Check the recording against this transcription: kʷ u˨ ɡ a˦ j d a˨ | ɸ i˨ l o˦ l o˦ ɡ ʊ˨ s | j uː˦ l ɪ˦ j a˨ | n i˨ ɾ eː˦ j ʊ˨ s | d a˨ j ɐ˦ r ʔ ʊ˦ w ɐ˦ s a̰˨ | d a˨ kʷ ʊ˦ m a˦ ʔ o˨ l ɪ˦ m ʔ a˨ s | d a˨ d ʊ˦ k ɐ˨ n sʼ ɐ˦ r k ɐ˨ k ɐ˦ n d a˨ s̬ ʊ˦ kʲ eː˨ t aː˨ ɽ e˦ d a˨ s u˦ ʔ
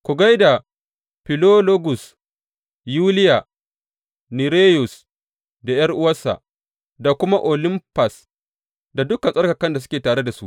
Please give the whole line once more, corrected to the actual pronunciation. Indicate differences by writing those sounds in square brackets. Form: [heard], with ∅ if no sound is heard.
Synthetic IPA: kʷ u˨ ɡ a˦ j d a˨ | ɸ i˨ l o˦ l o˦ ɡ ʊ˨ s | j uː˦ l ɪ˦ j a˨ | n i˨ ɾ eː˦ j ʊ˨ s | d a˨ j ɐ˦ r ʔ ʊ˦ w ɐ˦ s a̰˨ | d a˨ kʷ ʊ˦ m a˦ ʔ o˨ l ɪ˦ m [p] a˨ s | d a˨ d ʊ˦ k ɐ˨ n sʼ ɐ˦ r k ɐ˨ k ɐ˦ n d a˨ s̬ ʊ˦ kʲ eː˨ t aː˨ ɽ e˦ d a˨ s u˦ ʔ